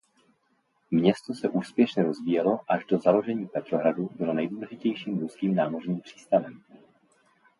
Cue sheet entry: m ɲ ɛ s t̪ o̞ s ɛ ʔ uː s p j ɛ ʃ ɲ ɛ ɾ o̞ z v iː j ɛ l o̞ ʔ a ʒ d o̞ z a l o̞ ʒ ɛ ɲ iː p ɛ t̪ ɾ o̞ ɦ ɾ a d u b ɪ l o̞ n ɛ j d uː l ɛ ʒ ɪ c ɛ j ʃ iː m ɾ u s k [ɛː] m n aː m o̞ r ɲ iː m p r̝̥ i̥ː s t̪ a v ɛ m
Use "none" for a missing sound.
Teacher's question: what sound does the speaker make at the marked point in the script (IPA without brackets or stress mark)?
iː